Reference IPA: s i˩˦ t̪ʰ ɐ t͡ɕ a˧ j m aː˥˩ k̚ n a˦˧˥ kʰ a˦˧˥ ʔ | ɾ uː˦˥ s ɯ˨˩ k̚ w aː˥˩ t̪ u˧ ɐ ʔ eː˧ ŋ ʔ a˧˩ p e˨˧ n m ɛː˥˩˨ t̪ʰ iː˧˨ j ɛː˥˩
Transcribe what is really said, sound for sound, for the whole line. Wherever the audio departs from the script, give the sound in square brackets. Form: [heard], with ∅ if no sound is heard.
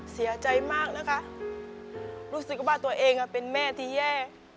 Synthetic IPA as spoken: s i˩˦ [∅] ɐ t͡ɕ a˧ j m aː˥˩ k̚ n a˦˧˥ kʰ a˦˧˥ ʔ | ɾ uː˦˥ s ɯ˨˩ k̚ w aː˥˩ t̪ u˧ ɐ ʔ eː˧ ŋ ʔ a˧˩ p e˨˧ n m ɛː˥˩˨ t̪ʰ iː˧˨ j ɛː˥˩